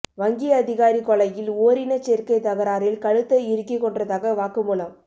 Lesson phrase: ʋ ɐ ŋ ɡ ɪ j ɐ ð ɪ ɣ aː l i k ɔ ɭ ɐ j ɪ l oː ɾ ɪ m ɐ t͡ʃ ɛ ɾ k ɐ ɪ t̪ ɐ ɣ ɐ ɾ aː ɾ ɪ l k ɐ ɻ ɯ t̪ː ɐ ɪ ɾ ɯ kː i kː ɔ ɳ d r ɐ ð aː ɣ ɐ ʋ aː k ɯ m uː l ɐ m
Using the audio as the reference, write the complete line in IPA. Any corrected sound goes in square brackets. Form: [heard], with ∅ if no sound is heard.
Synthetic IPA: ʋ ɐ ŋ ɡ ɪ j ɐ ð ɪ ɣ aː [ɾ] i k ɔ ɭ ɐ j ɪ l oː ɾ ɪ [n] ɐ t͡ʃ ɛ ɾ k ɐ ɪ t̪ ɐ ɣ ɐ ɾ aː ɾ ɪ l k ɐ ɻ ɯ t̪ː ɐ ɪ ɾ ɯ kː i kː ɔ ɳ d r ɐ ð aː ɣ ɐ ʋ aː k ɯ m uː l ɐ m

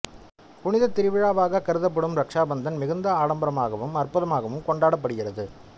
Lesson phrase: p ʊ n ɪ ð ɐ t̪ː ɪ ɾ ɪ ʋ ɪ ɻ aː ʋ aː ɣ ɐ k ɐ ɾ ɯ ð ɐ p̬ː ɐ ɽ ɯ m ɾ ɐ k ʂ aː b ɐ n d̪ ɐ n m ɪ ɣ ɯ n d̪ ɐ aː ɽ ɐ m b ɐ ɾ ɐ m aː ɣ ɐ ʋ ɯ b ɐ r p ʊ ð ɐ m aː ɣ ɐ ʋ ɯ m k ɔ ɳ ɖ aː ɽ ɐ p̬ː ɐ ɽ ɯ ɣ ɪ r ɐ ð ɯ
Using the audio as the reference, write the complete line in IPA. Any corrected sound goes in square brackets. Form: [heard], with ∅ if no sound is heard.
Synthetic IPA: p ʊ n ɪ ð ɐ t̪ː ɪ ɾ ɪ ʋ ɪ ɻ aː ʋ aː ɣ ɐ k ɐ ɾ ɯ ð ɐ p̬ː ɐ ɽ ɯ m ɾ ɐ k ʂ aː b ɐ n d̪ ɐ n m ɪ ɣ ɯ n d̪ ɐ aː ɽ ɐ m b ɐ ɾ ɐ m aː ɣ ɐ ʋ ɯ [m] ɐ r p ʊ ð ɐ m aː ɣ ɐ ʋ ɯ m k ɔ ɳ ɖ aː ɽ ɐ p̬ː ɐ ɽ ɯ ɣ ɪ r ɐ ð ɯ

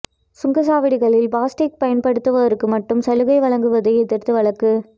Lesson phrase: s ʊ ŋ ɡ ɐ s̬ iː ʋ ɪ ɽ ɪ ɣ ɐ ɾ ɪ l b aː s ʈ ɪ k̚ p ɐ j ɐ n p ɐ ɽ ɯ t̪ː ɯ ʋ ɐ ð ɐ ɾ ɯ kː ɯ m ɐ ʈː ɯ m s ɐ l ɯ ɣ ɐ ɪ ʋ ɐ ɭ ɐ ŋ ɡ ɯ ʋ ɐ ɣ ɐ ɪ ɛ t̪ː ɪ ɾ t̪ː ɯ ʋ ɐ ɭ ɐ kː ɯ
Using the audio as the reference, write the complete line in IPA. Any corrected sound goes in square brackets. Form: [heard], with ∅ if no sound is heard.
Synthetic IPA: s ʊ ŋ ɡ ɐ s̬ [aː] ʋ ɪ ɽ ɪ ɣ ɐ [ɭ] ɪ l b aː s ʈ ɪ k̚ p ɐ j ɐ n p ɐ ɽ ɯ t̪ː ɯ ʋ ɐ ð ɐ ɾ ɯ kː ɯ m ɐ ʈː ɯ m s ɐ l ɯ ɣ ɐ ɪ ʋ ɐ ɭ ɐ ŋ ɡ ɯ ʋ ɐ [ð] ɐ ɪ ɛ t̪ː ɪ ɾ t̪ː ɯ ʋ ɐ ɭ ɐ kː ɯ

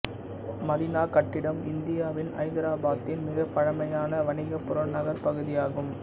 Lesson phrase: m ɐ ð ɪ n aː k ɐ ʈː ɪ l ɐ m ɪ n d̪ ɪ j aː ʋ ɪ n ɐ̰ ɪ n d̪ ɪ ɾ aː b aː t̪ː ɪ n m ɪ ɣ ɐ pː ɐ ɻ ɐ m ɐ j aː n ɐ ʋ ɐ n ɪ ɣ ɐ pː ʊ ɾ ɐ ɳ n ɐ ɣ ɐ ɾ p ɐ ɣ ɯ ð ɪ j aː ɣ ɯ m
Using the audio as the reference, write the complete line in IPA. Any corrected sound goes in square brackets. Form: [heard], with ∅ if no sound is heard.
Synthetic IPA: m ɐ ð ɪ n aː k ɐ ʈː ɪ [ɽ] ɐ m ɪ n d̪ ɪ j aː ʋ ɪ n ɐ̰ ɪ n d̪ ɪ ɾ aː b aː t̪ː ɪ n m ɪ ɣ ɐ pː ɐ ɻ ɐ m ɐ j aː n ɐ ʋ ɐ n ɪ ɣ ɐ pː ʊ ɾ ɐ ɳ n ɐ ɣ ɐ ɾ p ɐ ɣ ɯ ð ɪ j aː ɣ ɯ m

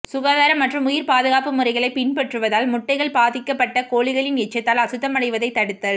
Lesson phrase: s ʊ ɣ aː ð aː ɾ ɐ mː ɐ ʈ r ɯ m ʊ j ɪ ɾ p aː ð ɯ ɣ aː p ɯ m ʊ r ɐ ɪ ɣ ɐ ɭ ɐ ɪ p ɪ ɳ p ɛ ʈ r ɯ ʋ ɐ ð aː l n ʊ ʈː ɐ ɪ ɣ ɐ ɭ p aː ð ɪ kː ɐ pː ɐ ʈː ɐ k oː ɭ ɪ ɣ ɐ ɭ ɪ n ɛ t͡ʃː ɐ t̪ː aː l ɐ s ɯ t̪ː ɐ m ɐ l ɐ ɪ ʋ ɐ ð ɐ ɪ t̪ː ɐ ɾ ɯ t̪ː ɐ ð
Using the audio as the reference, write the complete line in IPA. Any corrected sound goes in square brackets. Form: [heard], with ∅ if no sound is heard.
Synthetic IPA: s ʊ ɣ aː ð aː ɾ ɐ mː ɐ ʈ r ɯ m ʊ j ɪ ɾ p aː ð ɯ ɣ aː p ɯ m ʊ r ɐ ɪ ɣ ɐ ɭ ɐ ɪ p ɪ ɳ p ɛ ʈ r ɯ ʋ ɐ ð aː l [m] ʊ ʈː ɐ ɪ ɣ ɐ ɭ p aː ð ɪ kː ɐ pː ɐ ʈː ɐ k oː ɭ ɪ ɣ ɐ ɭ ɪ n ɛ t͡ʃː ɐ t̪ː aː l ɐ s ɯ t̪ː ɐ m ɐ [ɽ] ɐ ɪ ʋ ɐ ð ɐ ɪ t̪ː ɐ [ɽ] ɯ t̪ː ɐ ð

